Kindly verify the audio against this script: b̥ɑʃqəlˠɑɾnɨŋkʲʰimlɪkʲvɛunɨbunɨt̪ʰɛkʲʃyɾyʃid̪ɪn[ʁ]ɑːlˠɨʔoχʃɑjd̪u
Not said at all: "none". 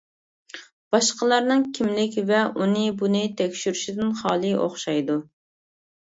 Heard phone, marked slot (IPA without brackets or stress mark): χ